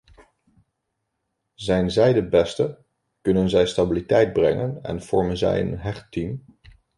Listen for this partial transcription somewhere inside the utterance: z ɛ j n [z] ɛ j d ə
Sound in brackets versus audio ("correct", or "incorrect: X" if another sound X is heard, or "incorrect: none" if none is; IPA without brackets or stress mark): correct